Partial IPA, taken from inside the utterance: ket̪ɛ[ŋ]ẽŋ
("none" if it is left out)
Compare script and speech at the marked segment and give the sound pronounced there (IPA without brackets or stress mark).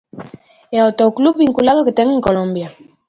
ŋ